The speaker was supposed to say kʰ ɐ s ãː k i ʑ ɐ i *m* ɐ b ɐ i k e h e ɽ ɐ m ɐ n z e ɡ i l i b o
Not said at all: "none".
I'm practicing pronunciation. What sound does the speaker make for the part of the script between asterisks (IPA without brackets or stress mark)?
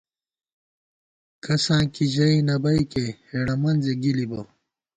n